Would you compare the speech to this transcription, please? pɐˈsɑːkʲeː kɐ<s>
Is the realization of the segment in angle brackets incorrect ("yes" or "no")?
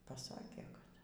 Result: yes